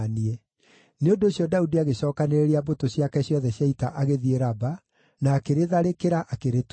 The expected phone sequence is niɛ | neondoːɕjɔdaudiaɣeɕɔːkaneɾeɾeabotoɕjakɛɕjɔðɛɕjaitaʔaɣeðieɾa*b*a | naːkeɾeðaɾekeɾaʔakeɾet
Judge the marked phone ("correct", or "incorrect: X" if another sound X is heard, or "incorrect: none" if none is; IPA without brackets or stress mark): correct